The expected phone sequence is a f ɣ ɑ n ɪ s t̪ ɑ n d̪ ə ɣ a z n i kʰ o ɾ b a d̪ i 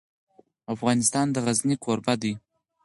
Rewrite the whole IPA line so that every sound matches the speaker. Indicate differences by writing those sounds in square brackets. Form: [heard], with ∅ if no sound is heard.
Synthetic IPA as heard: a f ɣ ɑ n ɪ s t̪ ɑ n d̪ ə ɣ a z n i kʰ o ɾ b a d̪ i